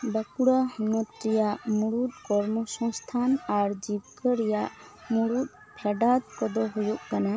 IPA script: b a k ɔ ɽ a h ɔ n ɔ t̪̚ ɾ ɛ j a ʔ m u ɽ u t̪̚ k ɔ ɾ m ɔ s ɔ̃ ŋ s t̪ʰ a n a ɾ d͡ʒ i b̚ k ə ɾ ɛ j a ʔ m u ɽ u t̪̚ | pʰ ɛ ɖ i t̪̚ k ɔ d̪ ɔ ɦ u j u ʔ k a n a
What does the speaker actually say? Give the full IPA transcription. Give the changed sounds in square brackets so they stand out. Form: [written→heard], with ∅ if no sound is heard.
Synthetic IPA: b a k [ɔ→u] ɽ a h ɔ n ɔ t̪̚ ɾ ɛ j a ʔ m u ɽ u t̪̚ k ɔ ɾ m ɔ s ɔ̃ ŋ s t̪ʰ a n a ɾ d͡ʒ i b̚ k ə ɾ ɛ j a ʔ m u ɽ u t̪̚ | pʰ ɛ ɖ [i→a] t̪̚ k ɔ d̪ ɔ ɦ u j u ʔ k a n a

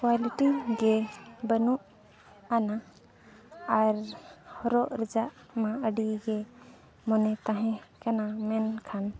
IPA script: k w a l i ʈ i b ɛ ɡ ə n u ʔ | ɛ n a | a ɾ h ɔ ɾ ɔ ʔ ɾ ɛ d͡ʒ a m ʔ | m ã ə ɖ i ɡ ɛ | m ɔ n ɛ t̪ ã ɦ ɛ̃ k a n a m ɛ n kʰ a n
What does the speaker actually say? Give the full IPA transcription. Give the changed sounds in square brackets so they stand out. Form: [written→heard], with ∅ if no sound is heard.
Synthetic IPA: k w a l i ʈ i [b→ɡ] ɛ [ɡ→b] ə n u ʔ | [ɛ→a] n a | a ɾ h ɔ ɾ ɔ ʔ ɾ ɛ d͡ʒ a [m→∅] ʔ | m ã ə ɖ i ɡ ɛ | m ɔ n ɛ t̪ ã ɦ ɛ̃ k a n a m ɛ n kʰ a n

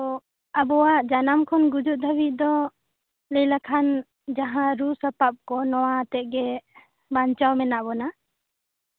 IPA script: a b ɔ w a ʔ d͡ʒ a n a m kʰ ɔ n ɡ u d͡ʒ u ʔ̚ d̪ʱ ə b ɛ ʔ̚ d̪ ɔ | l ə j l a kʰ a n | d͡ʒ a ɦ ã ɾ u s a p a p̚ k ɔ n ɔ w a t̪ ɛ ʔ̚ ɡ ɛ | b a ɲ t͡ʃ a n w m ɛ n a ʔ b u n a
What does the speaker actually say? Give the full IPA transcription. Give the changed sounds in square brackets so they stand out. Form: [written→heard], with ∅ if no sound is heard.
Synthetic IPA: a b ɔ w a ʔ d͡ʒ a n a m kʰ ɔ n ɡ u d͡ʒ u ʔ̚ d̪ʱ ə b [ɛ→i] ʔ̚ d̪ ɔ | l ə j l a kʰ a n | d͡ʒ a ɦ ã ɾ u s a p a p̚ k ɔ n ɔ w a t̪ ɛ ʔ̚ ɡ ɛ | b a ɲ t͡ʃ a [n→∅] w m ɛ n a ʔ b [u→ɔ] n a

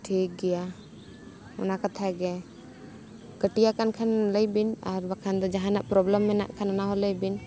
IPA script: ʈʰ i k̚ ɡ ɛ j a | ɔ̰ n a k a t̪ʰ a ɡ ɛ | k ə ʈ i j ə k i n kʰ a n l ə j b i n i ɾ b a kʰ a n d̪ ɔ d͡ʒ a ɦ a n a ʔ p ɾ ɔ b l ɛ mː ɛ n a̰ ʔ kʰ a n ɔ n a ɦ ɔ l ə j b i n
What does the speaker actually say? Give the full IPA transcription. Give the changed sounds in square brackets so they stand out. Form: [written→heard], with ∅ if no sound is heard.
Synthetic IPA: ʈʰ i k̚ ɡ ɛ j a | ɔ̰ n a k a t̪ʰ a ɡ ɛ | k ə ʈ i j [ə→a] k [i→a] n kʰ a n l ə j b i n [i→a] ɾ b a kʰ a n d̪ ɔ d͡ʒ a ɦ a n a ʔ p ɾ ɔ b l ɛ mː ɛ n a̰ ʔ kʰ a n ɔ n a ɦ ɔ l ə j b i n

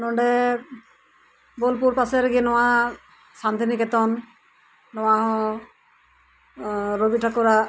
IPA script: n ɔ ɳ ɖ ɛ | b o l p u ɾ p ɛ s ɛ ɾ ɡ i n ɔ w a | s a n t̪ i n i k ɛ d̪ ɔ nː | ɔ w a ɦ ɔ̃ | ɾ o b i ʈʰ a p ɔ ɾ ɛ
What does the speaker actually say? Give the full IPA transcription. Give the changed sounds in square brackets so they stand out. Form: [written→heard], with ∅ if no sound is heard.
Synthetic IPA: n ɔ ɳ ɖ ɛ | b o l p u ɾ p [ɛ→a] s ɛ ɾ ɡ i n ɔ w a | s a n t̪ i n i k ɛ [d̪→t̪] ɔ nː | ɔ w a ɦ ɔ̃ | ɾ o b i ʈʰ a [p→k] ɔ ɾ [ɛ→a]

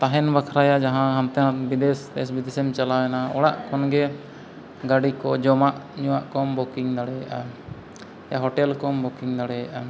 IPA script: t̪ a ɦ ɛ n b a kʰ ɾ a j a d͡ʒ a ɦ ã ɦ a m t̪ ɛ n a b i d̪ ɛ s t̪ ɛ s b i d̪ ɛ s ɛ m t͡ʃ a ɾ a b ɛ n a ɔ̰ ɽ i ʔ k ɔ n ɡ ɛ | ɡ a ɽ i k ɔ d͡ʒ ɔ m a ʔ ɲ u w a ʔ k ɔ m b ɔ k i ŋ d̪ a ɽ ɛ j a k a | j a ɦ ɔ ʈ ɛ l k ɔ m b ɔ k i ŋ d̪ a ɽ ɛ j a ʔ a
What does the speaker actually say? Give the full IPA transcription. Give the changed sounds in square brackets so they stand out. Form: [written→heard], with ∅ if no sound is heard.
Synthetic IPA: t̪ a ɦ ɛ n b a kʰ ɾ a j a d͡ʒ a ɦ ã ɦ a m t̪ ɛ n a b i d̪ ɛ s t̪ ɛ s b i d̪ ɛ s ɛ m t͡ʃ a [ɾ→l] a [b→w] ɛ n a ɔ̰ ɽ [i→a] ʔ k ɔ n ɡ ɛ | ɡ a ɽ i k ɔ d͡ʒ ɔ m a ʔ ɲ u w a ʔ k ɔ m b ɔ k i ŋ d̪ a ɽ ɛ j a [k→ʔ] a | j a ɦ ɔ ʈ ɛ l k ɔ m b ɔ k i ŋ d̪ a ɽ ɛ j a ʔ a

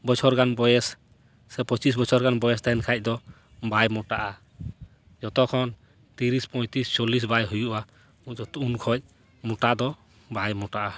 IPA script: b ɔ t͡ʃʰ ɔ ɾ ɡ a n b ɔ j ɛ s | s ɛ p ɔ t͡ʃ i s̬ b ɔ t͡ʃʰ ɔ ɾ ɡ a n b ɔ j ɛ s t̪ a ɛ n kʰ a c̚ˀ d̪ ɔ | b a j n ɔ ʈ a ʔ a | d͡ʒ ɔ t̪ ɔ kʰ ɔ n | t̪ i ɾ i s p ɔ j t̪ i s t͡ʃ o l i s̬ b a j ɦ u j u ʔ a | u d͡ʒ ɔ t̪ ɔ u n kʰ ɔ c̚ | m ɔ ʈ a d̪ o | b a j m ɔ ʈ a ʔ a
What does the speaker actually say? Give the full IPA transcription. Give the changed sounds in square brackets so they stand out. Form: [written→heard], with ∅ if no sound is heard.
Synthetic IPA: b ɔ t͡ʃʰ ɔ ɾ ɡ a n b ɔ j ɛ s | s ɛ p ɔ t͡ʃ i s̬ b ɔ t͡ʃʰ ɔ ɾ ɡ a n b ɔ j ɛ s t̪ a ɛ n kʰ a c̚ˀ d̪ ɔ | b a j [n→m] ɔ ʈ a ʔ a | d͡ʒ ɔ t̪ ɔ kʰ ɔ n | t̪ i ɾ i s p ɔ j t̪ i s t͡ʃ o l i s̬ b a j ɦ u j u ʔ a | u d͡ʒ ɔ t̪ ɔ u n kʰ ɔ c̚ | m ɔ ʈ a d̪ [o→ɔ] | b a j m ɔ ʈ a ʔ a

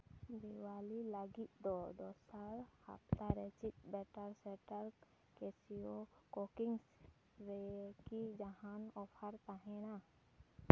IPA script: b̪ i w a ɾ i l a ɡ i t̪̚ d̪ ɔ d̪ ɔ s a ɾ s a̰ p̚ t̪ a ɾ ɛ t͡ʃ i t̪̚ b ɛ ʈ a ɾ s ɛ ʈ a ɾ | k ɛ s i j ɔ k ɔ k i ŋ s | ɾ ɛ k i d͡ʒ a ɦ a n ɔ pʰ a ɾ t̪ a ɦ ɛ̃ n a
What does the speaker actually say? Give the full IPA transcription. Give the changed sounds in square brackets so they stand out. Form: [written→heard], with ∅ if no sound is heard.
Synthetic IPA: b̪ i w a [ɾ→l] i l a ɡ i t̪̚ d̪ ɔ d̪ ɔ s a ɾ [s→h] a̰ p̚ t̪ a ɾ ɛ t͡ʃ i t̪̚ b ɛ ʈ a ɾ s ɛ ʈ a ɾ | k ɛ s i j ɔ k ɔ k i ŋ s | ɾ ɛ k i d͡ʒ a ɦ a n ɔ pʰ a ɾ t̪ a ɦ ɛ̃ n a

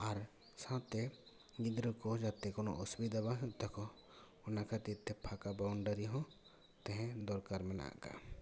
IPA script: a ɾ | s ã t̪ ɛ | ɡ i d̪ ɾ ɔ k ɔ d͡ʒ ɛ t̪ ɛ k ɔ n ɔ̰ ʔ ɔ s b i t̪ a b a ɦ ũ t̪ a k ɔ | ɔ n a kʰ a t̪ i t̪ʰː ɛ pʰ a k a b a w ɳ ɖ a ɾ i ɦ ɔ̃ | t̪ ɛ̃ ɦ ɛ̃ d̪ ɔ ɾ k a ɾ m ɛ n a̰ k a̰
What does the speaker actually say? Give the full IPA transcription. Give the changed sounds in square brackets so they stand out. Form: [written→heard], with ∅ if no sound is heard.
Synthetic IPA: a ɾ | s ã t̪ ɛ | ɡ i d̪ ɾ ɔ k ɔ d͡ʒ [ɛ→a] t̪ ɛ k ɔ n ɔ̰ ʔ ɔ s b i [t̪→d̪] a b a ɦ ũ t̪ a k ɔ | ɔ n a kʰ a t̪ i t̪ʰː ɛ pʰ a k a b a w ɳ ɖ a ɾ i ɦ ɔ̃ | t̪ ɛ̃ ɦ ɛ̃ d̪ ɔ ɾ k a ɾ m ɛ n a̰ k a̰

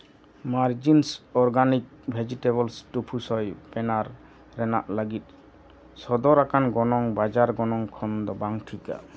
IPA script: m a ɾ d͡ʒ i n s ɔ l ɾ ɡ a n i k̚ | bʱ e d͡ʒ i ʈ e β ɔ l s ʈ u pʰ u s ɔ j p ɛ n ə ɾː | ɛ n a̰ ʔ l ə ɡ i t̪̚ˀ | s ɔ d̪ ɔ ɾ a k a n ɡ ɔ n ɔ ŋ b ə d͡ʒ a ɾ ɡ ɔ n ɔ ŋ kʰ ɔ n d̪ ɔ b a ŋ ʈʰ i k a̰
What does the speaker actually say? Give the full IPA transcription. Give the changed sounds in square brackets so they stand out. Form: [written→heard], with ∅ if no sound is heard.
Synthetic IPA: m a ɾ d͡ʒ i n s ɔ [l→∅] ɾ ɡ a n i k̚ | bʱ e d͡ʒ i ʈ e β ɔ l s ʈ u pʰ u s ɔ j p ɛ n [ə→a] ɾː | ɛ n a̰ ʔ l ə ɡ i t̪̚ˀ | s ɔ d̪ ɔ ɾ a k a n ɡ ɔ n ɔ ŋ b [ə→a] d͡ʒ a ɾ ɡ ɔ n ɔ ŋ kʰ ɔ n d̪ ɔ b a ŋ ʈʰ i k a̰

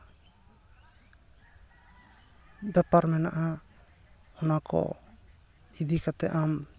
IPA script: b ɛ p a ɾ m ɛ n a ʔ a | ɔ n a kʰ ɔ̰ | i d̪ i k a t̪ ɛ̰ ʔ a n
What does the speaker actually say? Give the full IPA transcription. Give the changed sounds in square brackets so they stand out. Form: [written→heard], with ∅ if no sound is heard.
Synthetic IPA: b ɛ p a ɾ m ɛ n a ʔ a | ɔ n a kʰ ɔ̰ | i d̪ i k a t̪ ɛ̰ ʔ a [n→m]

